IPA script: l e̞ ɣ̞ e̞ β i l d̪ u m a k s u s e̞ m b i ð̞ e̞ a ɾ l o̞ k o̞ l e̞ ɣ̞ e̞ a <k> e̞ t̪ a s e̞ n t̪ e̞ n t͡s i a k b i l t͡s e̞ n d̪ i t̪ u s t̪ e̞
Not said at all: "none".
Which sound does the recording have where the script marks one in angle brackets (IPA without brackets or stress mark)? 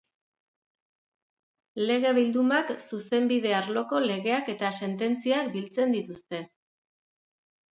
k